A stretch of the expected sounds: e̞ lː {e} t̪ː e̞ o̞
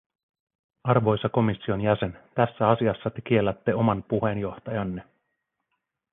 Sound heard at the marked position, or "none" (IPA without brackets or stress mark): æ